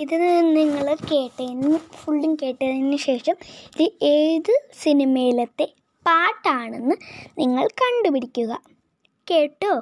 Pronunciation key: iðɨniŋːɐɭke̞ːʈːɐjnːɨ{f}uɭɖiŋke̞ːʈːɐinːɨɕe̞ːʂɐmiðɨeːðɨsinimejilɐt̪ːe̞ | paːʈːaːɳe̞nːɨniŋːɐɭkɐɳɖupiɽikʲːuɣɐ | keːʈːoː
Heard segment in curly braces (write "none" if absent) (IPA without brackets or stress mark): f